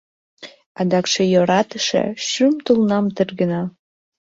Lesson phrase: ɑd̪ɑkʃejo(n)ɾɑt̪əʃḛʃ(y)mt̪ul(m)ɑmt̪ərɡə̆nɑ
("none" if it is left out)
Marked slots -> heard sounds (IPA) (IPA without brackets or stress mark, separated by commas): none, y, n